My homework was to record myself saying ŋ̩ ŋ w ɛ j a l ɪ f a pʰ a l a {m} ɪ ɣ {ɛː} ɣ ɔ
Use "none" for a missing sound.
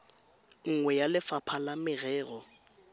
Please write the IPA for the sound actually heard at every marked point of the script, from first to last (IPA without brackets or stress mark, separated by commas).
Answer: m, ɛː